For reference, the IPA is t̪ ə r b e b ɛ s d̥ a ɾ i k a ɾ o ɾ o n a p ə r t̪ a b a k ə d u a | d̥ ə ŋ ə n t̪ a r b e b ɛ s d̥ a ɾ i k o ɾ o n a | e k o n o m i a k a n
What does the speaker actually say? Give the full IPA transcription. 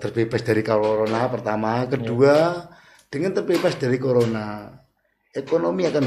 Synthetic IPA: t̪ ə r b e b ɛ s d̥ a ɾ i k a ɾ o ɾ o n a p ə r t̪ a m a k ə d u a | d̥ ə ŋ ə n t̪ ə r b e b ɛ s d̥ a ɾ i k o ɾ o n a | e k o n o m i a k a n